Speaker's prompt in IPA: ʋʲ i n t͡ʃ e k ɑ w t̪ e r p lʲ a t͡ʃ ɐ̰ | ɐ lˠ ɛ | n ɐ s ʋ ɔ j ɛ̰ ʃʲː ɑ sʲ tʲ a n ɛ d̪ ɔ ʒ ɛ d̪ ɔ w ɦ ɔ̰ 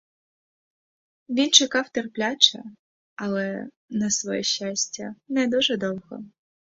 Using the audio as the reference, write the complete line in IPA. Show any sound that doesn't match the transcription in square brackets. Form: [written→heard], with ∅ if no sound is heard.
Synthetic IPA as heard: ʋʲ i n t͡ʃ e k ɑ w t̪ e r p lʲ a t͡ʃ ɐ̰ | ɐ lˠ ɛ | n ɐ s ʋ ɔ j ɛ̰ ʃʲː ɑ sʲ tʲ [a→ɐ] n ɛ d̪ [ɔ→u] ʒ ɛ d̪ ɔ w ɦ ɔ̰